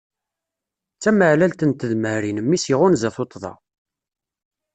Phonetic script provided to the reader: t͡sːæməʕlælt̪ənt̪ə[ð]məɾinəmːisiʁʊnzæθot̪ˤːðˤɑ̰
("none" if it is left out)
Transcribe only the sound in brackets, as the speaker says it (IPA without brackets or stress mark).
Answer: ð